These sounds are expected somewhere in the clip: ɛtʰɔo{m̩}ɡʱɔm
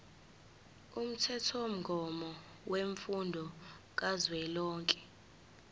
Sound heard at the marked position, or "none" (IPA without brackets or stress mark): m̩